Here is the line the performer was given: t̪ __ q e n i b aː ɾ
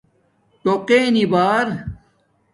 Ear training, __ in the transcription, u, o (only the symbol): o